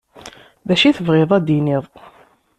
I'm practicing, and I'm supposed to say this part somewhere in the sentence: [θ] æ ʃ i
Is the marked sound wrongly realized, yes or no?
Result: yes